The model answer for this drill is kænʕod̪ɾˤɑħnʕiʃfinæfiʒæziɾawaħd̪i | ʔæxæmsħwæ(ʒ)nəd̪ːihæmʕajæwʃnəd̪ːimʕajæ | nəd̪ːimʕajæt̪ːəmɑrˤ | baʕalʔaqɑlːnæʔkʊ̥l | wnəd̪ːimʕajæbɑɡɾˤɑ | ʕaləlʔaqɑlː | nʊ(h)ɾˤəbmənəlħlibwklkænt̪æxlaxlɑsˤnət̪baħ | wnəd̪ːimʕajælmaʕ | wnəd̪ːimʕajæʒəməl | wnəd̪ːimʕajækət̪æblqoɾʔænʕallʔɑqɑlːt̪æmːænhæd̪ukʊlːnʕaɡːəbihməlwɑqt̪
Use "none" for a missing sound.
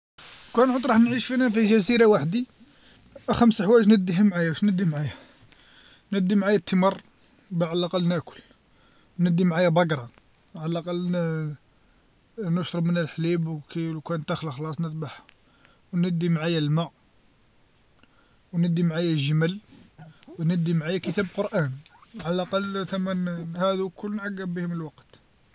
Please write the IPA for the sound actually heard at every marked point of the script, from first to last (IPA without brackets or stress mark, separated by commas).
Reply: ʒ, ʃ